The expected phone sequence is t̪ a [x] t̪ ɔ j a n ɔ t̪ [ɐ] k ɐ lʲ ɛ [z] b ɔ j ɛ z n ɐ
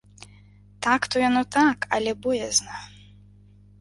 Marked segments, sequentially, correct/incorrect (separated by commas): incorrect, incorrect, incorrect